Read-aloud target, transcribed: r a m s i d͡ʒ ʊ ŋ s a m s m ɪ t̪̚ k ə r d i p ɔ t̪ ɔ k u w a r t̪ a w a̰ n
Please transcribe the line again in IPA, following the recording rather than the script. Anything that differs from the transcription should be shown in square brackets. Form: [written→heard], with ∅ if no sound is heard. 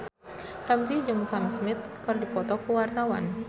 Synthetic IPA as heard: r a m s i d͡ʒ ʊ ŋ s a m s m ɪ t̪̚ k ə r d i p ɔ t̪ ɔ k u w a r t̪ a w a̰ n